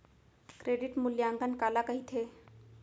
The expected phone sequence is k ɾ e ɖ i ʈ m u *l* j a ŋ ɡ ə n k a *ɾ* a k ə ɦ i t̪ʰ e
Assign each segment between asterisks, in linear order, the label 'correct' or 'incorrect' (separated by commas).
correct, incorrect